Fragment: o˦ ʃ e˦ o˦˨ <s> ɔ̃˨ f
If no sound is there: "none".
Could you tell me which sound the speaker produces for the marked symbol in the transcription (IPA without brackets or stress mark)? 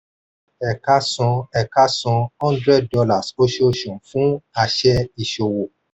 ʃ